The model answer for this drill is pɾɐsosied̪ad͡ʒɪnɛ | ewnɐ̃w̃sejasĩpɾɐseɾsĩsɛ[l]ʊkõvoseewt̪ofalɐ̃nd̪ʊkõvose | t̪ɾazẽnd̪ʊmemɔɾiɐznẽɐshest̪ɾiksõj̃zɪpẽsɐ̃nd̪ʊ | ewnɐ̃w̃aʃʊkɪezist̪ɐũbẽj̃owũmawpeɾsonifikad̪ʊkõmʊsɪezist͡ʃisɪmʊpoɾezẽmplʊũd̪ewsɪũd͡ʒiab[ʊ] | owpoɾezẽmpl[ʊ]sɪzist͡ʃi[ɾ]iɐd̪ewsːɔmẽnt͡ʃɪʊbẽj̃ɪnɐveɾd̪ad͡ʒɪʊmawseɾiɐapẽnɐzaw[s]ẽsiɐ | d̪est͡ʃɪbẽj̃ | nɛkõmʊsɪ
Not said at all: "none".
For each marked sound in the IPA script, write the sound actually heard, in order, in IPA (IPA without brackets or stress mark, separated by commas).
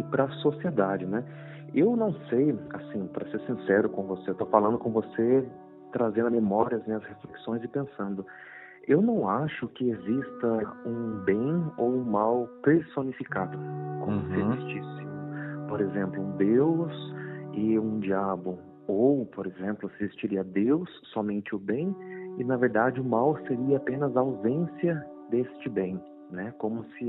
ɾ, ʊ, ʊ, ɾ, z